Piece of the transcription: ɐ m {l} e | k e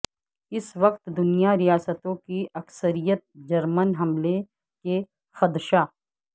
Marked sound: correct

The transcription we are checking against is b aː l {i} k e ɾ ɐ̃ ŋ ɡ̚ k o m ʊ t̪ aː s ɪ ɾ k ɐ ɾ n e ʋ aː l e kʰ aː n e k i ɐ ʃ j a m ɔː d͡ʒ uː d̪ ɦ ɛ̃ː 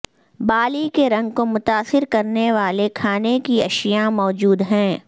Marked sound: correct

